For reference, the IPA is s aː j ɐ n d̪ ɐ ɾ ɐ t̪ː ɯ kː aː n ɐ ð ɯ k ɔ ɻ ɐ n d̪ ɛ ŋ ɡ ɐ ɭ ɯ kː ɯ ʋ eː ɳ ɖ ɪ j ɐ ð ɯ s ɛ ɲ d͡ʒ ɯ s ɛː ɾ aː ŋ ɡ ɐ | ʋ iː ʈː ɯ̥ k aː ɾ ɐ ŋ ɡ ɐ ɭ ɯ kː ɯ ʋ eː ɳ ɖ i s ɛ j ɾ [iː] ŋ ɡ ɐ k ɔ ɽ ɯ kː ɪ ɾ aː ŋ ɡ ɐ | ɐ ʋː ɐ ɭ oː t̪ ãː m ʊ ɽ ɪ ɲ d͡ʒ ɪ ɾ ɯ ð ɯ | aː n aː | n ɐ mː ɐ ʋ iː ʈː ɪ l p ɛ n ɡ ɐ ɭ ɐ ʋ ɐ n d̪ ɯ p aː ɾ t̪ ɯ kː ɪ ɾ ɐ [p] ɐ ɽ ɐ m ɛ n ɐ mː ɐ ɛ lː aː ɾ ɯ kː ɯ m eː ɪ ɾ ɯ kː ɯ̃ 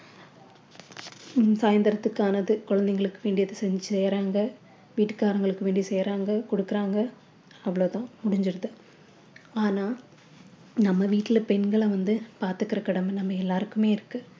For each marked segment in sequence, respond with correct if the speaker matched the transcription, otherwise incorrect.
incorrect, incorrect

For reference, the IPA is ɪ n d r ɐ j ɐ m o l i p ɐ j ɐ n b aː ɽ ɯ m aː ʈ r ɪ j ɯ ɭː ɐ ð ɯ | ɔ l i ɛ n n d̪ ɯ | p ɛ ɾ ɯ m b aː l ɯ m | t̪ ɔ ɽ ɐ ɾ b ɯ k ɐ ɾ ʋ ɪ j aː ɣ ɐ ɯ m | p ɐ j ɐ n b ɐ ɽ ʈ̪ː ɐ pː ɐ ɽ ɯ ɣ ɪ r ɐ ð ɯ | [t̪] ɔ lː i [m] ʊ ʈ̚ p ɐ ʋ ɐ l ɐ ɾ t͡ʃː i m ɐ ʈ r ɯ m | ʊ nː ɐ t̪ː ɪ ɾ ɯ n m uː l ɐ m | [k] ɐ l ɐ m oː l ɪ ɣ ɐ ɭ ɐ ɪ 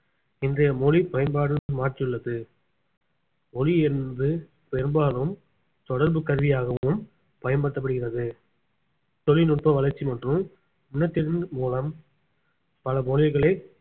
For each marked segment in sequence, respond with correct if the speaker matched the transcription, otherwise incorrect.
correct, incorrect, incorrect

